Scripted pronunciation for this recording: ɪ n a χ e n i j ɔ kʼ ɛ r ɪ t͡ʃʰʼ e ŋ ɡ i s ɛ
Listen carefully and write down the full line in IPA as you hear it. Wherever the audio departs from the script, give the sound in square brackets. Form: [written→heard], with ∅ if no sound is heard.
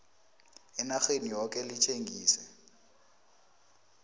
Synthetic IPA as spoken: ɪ n a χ e n i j ɔ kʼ ɛ [r→l] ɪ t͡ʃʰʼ e ŋ ɡ [i→iː] s ɛ